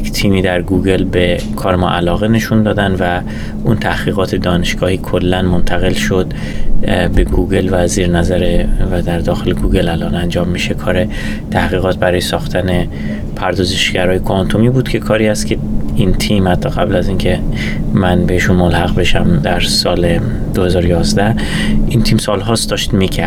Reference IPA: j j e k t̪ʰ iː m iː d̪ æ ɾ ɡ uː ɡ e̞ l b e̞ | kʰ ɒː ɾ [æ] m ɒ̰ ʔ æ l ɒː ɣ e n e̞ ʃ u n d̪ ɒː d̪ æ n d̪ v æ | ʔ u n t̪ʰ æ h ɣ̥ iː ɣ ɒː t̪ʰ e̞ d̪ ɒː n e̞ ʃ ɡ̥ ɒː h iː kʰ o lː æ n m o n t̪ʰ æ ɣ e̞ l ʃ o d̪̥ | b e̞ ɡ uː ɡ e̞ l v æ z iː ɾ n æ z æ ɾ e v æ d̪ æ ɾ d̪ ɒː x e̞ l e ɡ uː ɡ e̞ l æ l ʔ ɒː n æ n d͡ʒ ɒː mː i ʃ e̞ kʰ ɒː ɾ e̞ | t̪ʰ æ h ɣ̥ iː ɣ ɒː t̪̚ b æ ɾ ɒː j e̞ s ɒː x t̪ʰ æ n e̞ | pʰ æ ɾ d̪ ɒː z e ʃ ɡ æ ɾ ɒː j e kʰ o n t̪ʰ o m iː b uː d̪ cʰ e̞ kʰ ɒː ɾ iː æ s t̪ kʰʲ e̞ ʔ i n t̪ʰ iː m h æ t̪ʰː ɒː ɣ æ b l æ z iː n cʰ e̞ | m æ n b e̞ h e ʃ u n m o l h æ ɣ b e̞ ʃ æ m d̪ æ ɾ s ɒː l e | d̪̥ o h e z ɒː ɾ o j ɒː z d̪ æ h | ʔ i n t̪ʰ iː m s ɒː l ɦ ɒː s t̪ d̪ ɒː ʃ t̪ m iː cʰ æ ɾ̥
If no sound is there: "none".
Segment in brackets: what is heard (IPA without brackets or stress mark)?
e